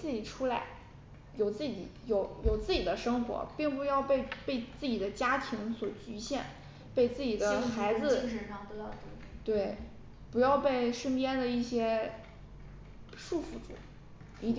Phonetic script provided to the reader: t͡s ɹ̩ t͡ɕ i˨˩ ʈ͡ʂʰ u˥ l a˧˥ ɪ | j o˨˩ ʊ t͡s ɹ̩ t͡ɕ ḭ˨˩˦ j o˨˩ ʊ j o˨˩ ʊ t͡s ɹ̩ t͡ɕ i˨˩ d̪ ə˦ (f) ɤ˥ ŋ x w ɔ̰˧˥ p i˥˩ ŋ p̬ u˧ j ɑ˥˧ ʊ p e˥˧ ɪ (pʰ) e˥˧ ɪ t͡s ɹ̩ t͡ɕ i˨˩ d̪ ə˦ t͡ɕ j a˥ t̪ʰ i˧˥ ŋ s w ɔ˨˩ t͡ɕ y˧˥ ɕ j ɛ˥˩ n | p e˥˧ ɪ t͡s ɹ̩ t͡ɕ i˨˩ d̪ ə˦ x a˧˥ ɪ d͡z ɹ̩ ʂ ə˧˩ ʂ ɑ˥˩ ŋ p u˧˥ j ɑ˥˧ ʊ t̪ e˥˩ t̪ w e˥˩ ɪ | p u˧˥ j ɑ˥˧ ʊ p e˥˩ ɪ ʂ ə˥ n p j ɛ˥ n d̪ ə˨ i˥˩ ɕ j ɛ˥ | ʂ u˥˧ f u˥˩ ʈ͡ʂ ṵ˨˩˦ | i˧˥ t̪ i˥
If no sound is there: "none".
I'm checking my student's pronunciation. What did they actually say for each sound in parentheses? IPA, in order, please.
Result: ʂ, p

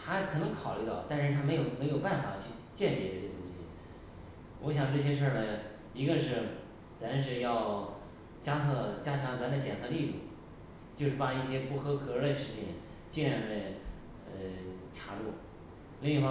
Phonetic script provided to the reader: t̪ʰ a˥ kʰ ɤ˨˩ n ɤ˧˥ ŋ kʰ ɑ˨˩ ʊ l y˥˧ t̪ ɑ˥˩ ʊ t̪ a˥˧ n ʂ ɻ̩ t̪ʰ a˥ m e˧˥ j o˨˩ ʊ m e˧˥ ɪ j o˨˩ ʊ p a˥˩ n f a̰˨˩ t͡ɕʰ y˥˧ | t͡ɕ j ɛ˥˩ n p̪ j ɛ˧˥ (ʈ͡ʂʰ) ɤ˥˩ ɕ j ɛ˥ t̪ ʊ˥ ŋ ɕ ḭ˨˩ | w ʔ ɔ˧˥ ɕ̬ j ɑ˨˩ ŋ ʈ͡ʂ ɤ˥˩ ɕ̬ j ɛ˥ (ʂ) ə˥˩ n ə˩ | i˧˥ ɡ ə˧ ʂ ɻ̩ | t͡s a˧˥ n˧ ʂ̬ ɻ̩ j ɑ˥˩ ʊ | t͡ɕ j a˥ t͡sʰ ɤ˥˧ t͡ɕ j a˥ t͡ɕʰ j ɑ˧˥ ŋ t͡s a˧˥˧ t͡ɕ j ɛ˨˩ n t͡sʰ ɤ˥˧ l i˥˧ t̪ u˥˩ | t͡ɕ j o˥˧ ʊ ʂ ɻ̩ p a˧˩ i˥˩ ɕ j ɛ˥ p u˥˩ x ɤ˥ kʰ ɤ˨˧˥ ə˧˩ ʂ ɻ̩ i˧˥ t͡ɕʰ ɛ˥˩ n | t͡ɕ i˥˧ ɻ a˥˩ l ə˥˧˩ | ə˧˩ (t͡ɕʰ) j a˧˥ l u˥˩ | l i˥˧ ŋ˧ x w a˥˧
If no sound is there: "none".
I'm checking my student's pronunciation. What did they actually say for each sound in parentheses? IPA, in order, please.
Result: ʈ͡ʂ, ʂ, t͡ɕʰ

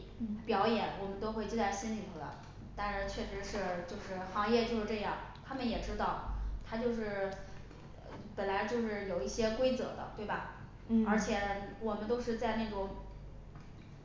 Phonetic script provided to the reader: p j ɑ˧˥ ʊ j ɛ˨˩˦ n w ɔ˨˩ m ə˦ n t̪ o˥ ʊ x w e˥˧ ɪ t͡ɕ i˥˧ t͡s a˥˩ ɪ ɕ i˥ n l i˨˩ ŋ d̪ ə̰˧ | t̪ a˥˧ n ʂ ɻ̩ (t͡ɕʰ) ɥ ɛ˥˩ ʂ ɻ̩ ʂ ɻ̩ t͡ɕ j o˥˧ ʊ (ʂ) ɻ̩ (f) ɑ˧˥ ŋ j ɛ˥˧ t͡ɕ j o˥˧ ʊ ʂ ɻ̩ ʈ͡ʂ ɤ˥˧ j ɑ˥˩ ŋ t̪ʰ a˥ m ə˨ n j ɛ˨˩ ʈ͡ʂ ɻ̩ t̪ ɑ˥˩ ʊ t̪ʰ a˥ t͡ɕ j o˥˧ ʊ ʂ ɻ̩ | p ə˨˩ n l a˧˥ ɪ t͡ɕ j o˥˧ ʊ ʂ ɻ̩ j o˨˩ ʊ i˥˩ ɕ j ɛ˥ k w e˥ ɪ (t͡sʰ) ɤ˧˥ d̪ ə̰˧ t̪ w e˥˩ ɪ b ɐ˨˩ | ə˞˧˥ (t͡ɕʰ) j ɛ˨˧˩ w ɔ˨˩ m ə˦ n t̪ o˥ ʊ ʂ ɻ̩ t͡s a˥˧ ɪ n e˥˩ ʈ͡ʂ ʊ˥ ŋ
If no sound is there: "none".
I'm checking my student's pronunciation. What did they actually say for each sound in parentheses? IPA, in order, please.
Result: t͡ɕʰ, ʂ, x, t͡s, t͡ɕʰ

